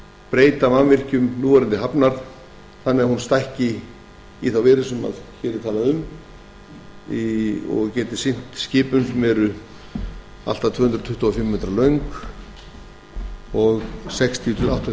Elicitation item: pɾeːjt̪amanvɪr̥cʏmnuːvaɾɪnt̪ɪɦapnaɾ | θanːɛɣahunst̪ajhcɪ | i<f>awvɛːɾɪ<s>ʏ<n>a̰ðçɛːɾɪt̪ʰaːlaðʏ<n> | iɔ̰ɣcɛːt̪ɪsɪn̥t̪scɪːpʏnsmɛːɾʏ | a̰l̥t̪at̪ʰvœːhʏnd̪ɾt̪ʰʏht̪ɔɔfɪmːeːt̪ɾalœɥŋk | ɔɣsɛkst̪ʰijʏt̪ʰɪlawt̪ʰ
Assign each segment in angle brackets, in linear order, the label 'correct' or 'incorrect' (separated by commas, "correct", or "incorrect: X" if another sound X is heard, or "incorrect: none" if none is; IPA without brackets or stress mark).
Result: incorrect: θ, correct, incorrect: m, incorrect: m